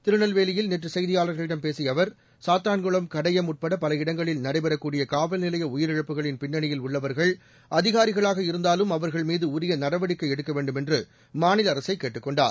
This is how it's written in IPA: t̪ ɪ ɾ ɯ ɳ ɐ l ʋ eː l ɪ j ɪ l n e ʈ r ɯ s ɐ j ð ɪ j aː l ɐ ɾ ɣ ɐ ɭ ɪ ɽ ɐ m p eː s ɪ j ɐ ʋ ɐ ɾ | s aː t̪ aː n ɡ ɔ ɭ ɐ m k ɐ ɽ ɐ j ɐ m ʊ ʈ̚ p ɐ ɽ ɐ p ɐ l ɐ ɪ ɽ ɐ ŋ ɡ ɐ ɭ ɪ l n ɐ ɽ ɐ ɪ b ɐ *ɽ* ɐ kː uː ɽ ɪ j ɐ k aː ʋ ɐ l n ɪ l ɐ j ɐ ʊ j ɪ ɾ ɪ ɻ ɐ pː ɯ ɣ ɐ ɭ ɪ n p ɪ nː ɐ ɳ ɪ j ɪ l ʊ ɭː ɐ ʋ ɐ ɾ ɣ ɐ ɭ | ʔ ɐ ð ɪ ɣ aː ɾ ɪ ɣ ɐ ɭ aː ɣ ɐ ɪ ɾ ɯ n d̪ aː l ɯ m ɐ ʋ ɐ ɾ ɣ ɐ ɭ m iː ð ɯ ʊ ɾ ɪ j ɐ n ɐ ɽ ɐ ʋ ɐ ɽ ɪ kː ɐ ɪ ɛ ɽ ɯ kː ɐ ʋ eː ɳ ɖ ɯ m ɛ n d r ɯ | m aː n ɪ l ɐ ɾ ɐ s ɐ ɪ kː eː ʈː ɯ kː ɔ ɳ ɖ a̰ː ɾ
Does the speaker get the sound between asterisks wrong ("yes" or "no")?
yes